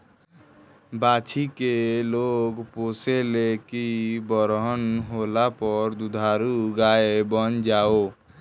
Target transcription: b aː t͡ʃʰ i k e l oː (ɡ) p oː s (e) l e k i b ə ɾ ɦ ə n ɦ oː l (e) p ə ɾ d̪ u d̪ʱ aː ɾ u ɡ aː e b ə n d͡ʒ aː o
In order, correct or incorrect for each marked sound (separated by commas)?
correct, correct, incorrect